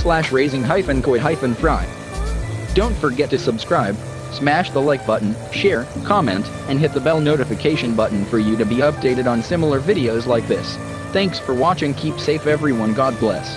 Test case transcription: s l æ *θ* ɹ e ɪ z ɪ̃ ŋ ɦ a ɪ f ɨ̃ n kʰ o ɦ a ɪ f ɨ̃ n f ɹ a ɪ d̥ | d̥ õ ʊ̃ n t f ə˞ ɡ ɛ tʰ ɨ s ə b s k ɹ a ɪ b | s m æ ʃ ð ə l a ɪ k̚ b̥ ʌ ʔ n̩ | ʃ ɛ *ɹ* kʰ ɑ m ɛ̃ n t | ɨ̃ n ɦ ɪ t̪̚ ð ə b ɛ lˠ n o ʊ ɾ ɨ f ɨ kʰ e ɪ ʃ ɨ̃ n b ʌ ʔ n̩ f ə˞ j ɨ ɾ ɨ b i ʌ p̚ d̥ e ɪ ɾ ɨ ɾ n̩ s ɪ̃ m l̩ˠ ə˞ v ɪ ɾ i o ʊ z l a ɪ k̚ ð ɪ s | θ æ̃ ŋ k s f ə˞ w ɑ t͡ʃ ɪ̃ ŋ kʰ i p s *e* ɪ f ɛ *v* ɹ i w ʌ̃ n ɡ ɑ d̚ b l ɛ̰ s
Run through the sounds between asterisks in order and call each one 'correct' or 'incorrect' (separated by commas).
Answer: incorrect, correct, correct, correct